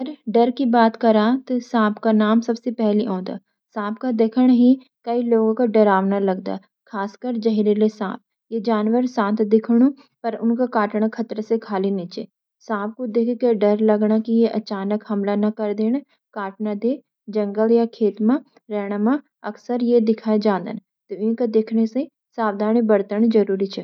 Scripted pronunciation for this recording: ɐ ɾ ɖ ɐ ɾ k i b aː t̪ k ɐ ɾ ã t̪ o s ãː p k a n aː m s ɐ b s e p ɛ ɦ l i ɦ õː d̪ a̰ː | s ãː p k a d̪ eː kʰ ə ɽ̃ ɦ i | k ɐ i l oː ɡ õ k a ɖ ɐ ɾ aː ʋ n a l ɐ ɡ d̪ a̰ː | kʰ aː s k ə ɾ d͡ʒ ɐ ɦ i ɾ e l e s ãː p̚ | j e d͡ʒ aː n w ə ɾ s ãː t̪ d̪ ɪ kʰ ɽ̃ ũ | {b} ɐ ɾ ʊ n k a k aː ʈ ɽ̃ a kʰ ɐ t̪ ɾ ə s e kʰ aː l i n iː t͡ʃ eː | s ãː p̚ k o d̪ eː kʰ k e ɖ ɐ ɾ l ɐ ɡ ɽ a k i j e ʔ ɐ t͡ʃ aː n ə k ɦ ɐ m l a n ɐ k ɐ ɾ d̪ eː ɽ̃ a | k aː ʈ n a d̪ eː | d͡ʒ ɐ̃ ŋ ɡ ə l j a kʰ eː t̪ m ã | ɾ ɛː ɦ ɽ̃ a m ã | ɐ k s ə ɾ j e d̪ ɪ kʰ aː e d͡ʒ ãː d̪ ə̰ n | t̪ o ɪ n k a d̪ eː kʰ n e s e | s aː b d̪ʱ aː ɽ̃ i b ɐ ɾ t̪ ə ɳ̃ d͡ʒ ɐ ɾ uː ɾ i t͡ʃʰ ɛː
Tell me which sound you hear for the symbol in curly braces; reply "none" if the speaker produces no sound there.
p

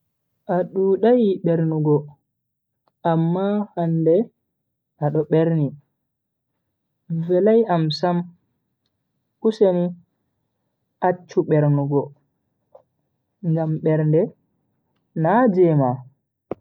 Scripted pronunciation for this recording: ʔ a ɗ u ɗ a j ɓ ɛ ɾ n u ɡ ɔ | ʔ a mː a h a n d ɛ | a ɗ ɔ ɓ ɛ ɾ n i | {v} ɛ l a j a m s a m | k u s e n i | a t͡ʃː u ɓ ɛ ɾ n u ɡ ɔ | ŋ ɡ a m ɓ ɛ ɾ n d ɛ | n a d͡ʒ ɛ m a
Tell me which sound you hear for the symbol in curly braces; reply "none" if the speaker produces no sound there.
v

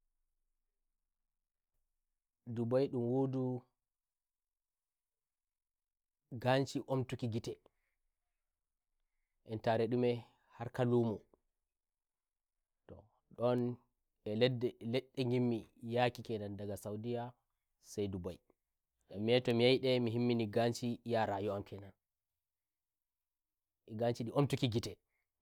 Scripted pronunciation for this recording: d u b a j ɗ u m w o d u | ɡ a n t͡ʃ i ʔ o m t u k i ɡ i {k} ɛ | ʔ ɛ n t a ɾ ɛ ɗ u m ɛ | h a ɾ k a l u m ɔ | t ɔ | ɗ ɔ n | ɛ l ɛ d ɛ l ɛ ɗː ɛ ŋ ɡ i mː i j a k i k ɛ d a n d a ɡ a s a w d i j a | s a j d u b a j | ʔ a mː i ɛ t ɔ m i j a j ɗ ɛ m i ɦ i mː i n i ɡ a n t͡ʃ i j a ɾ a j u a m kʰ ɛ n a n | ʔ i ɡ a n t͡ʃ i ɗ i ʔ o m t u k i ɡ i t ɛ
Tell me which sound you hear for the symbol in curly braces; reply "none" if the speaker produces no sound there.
t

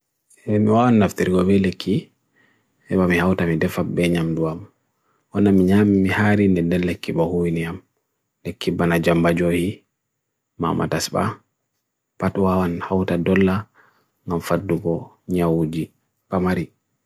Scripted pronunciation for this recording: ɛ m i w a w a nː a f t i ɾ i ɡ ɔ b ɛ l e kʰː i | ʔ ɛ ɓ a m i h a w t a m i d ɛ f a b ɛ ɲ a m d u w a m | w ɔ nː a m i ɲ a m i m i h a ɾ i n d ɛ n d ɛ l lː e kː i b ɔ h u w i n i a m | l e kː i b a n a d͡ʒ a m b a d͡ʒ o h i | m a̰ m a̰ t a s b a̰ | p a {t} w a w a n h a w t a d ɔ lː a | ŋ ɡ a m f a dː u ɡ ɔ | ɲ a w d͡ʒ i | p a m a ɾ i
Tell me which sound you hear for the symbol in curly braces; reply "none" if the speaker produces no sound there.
t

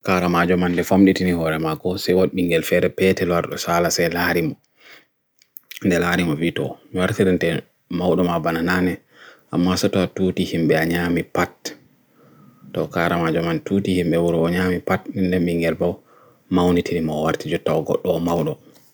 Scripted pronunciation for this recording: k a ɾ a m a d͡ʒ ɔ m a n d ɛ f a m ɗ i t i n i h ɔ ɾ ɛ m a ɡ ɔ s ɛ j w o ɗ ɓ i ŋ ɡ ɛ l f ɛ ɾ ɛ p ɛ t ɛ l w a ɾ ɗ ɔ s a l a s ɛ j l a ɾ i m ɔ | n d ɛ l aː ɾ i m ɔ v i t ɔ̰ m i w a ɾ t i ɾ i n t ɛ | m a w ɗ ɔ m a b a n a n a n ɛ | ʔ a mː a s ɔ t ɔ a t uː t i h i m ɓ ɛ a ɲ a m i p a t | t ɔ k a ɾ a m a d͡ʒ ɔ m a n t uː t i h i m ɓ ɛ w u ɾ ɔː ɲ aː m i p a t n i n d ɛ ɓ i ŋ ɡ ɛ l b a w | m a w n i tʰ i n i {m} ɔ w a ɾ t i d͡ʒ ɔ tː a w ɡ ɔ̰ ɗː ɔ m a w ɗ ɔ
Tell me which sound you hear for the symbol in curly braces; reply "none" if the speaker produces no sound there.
m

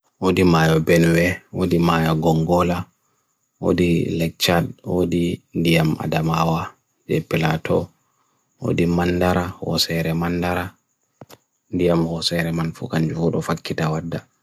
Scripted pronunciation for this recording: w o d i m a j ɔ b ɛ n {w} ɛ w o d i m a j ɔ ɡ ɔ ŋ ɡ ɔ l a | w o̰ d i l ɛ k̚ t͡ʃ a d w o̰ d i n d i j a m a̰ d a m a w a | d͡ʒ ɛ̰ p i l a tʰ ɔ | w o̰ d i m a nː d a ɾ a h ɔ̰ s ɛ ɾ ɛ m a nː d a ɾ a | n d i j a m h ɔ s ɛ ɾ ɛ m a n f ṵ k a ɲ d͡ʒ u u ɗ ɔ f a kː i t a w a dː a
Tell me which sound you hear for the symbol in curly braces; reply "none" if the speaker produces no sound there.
w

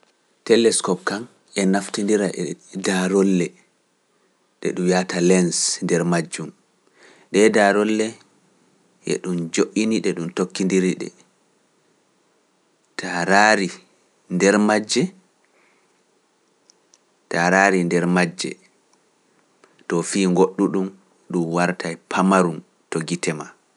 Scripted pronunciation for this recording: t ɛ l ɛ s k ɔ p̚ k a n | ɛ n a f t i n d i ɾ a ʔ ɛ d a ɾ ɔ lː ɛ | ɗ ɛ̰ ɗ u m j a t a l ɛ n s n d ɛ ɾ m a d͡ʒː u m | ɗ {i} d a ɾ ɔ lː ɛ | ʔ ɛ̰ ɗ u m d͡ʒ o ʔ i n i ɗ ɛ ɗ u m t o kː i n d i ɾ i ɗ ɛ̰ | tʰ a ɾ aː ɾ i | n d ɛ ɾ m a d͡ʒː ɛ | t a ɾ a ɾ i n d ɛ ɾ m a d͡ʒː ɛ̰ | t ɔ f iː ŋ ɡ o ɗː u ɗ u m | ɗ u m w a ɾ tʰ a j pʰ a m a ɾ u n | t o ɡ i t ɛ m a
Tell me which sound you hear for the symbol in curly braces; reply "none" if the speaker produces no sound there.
ɛ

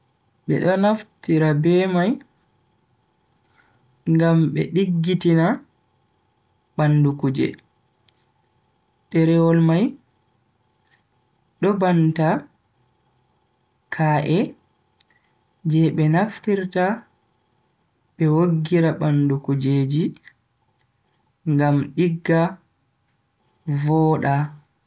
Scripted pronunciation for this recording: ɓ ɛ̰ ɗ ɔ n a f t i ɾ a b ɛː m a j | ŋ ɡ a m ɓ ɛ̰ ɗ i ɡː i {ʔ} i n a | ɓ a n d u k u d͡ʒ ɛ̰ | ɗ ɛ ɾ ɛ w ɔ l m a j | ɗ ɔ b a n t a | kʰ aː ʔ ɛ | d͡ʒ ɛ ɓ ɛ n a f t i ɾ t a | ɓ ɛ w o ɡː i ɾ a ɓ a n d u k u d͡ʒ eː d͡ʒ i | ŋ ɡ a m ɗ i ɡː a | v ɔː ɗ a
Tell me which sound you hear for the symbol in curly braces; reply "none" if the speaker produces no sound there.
t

